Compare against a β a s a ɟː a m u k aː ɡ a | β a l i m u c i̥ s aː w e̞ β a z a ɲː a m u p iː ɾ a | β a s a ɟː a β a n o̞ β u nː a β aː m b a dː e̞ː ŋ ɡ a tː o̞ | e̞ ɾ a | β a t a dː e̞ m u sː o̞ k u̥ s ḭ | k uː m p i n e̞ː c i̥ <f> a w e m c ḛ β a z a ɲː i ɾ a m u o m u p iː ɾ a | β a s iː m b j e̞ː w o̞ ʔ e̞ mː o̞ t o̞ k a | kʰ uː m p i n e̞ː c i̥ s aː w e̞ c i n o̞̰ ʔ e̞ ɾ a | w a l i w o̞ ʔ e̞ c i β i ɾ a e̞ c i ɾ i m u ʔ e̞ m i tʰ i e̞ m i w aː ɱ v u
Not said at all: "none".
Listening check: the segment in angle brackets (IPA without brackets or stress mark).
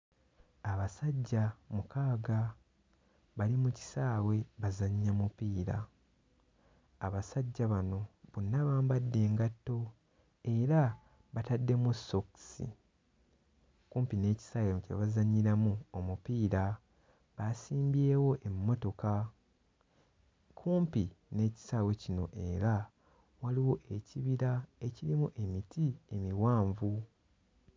s